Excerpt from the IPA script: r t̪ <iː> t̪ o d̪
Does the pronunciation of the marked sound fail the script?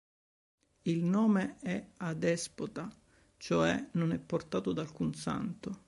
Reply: yes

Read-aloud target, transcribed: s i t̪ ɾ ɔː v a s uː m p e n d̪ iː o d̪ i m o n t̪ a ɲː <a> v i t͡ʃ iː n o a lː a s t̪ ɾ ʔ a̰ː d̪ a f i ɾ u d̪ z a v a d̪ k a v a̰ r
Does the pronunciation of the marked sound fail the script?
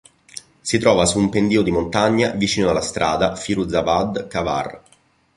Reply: no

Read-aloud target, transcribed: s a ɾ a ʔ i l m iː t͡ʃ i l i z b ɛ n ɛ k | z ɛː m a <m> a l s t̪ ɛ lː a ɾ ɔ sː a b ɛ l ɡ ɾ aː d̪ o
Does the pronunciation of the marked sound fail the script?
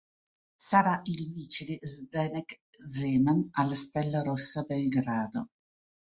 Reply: yes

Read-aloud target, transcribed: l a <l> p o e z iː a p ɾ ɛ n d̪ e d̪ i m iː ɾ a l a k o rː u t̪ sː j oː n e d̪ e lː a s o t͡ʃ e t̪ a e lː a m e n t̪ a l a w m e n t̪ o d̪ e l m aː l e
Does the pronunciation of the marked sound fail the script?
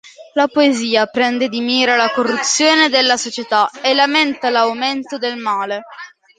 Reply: yes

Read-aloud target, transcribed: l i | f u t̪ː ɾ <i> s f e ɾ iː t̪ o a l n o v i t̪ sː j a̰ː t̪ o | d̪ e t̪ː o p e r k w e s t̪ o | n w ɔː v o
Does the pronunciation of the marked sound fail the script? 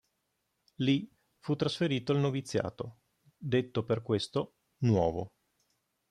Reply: yes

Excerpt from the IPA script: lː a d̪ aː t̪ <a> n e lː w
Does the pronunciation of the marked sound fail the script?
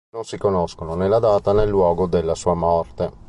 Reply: no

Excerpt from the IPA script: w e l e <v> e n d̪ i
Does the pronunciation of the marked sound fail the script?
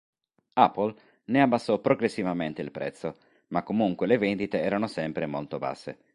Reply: no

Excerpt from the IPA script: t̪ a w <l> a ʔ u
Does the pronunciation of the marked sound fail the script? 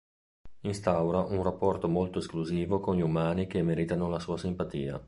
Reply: yes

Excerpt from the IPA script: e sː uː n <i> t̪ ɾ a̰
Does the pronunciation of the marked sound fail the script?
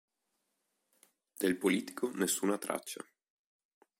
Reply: yes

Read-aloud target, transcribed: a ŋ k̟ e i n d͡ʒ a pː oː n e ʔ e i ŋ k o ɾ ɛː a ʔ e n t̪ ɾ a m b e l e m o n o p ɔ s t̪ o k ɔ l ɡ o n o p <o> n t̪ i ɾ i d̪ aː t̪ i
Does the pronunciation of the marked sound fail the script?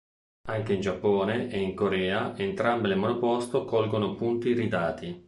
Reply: yes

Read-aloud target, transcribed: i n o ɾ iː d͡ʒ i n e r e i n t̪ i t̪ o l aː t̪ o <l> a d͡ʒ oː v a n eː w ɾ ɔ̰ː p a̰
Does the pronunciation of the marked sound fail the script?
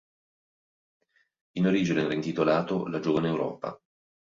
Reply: no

